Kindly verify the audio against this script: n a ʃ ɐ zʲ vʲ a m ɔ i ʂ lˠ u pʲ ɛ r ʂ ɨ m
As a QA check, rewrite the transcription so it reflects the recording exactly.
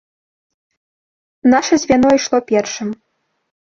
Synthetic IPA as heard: n a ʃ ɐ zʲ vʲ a n ɔ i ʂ lˠ ɔ pʲ ɛ r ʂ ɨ m

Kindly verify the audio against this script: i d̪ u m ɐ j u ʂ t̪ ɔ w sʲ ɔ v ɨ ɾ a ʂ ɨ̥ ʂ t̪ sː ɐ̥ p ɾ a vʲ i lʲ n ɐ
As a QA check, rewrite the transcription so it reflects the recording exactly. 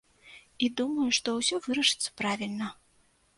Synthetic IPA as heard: i d̪ u m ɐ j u ʂ t̪ ɔ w sʲ ɔ v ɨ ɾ ɐ ʂ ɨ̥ t̪ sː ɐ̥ p ɾ a vʲ i lʲ n ɐ

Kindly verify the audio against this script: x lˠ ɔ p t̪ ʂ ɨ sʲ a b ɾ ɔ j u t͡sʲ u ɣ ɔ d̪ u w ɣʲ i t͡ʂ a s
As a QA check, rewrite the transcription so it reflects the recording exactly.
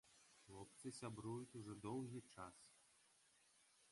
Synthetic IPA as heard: x lˠ ɔ p t̪ s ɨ sʲ a b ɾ u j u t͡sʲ u ʐ ɔ d̪ ɔ w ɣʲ i t͡ʂ a s

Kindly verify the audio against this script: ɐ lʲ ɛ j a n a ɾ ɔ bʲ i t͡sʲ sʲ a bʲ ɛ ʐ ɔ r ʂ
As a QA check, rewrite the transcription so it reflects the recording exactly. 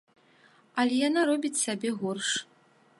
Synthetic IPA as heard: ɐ lʲ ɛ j a n a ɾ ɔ bʲ i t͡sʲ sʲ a bʲ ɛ ɣ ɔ r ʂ

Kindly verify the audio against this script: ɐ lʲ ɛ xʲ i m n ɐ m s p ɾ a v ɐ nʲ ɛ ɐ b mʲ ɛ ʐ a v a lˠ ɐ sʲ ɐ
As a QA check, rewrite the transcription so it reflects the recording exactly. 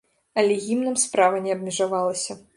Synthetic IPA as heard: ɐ lʲ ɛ ɣʲ i m n ɐ m s p ɾ a v ɐ nʲ ɛ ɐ b mʲ ɛ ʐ a v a lˠ ɐ sʲ ɐ

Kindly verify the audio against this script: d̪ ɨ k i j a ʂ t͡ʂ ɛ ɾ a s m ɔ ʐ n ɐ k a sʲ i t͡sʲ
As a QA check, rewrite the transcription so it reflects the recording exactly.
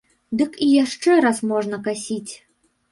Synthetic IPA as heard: d̪ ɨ k i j a ʂ t͡ʂ ɛ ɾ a s m ɔ ʐ n ɐ k a sʲ i t͡sʲ

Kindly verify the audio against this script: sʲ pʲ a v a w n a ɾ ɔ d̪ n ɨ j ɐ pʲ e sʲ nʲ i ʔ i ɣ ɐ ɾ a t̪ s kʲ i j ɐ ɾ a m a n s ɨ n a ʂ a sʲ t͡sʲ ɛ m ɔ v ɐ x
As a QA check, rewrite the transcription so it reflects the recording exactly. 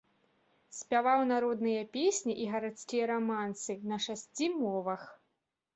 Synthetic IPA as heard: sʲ pʲ a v a w n a ɾ ɔ d̪ n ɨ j ɐ pʲ e sʲ nʲ i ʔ i ɣ ɐ ɾ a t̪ s kʲ i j ɐ ɾ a m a n s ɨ n ɐ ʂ a sʲ t͡sʲ i m ɔ v ɐ x

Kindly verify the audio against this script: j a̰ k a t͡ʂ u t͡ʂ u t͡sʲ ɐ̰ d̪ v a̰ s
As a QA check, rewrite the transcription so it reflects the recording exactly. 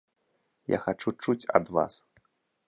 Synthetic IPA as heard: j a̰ x a t͡ʂ u t͡ʂ u t͡sʲ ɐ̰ d̪ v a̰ s

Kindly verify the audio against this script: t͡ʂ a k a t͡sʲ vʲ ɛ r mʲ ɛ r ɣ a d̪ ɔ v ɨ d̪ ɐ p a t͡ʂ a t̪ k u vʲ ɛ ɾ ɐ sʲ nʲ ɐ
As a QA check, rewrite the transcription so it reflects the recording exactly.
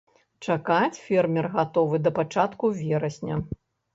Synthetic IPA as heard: t͡ʂ a k a t͡sʲ fʲ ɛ r mʲ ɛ r ɣ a t̪ ɔ v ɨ d̪ ɐ p a t͡ʂ a t̪ k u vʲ ɛ ɾ ɐ sʲ nʲ ɐ

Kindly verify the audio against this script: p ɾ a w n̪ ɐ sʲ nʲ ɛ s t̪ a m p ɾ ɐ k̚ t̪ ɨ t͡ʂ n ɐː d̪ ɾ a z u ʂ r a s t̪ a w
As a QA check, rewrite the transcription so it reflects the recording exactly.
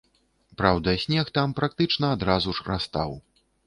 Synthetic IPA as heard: p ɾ a w d̪ ɐ sʲ nʲ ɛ x t̪ a m p ɾ a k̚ t̪ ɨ t͡ʂ n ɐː d̪ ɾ a z u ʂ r a s t̪ a w

